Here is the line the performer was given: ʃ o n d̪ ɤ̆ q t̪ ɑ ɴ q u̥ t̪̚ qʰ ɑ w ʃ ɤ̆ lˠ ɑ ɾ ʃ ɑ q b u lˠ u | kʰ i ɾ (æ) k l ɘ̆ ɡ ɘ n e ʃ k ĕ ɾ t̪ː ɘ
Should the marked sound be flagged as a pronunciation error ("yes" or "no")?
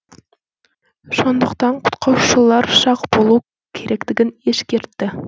no